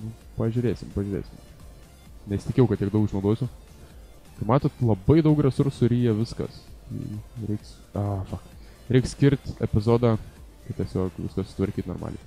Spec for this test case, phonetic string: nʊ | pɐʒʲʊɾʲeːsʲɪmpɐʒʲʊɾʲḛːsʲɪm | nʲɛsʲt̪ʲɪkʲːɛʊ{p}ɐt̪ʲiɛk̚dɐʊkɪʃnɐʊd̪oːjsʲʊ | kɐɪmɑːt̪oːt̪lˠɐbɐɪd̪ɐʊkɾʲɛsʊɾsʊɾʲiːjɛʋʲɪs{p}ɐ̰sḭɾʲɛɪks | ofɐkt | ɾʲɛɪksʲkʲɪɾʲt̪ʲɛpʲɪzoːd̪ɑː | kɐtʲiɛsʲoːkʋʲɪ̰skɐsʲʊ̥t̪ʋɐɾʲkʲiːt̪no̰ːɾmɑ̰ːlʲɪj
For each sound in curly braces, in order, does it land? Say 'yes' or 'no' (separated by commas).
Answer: no, no